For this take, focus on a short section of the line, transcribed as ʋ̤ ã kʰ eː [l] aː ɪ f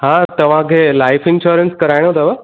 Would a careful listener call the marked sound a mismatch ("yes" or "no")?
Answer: no